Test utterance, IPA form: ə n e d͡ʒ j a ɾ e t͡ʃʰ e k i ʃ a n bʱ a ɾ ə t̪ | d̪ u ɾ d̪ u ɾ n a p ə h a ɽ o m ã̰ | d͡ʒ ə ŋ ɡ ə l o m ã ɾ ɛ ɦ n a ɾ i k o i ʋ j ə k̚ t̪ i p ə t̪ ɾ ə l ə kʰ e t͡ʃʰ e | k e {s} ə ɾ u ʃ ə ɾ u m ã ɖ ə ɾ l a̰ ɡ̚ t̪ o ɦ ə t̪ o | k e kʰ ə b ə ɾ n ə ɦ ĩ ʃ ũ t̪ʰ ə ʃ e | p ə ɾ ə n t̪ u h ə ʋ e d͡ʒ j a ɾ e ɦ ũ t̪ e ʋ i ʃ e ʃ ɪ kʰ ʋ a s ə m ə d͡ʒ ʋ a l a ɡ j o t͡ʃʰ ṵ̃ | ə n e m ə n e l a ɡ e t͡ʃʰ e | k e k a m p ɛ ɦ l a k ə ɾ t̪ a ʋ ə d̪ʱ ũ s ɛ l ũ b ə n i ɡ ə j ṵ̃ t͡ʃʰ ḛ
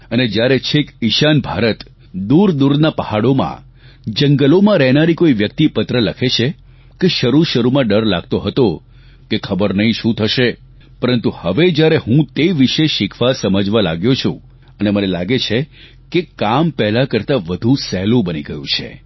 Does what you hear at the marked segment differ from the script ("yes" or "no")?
yes